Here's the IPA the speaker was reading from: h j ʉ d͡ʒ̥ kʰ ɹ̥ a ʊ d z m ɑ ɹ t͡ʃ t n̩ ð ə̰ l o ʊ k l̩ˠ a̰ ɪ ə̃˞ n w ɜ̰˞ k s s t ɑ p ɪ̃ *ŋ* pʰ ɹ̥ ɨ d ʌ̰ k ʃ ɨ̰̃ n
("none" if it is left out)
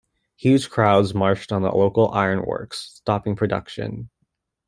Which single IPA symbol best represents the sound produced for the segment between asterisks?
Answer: ŋ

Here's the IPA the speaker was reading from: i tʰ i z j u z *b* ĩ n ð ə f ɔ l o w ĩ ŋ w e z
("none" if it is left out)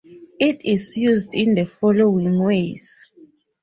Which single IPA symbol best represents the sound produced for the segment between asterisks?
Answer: d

